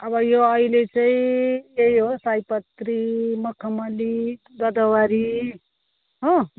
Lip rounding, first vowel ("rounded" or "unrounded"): unrounded